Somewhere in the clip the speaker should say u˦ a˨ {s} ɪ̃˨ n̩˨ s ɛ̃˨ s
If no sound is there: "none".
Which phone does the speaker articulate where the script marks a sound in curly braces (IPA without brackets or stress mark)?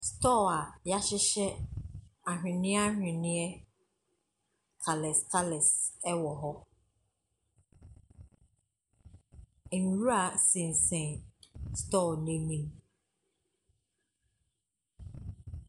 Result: s